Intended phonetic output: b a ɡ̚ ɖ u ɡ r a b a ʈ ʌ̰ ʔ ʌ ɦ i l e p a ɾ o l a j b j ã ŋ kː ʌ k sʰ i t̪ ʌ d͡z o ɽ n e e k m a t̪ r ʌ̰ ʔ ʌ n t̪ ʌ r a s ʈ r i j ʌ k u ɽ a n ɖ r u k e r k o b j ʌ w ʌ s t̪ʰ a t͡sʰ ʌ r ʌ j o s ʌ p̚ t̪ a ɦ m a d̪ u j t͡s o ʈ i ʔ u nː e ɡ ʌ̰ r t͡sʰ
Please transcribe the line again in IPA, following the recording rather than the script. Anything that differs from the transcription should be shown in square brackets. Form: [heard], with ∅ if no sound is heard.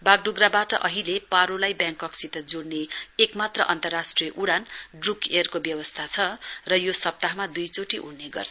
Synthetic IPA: b a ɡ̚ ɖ u ɡ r a b a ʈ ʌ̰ ʔ ʌ ɦ i l e p a ɾ o l a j b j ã ŋ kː ʌ k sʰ i t̪ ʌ d͡z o ɽ n e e k m a t̪ r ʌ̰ ʔ ʌ n t̪ ʌ r a s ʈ r i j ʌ [ʔ] u ɽ a n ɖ r u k e r k o b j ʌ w ʌ s t̪ʰ a t͡sʰ ʌ r ʌ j o s ʌ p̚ t̪ a ɦ m a d̪ u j t͡s o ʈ i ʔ u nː e ɡ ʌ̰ r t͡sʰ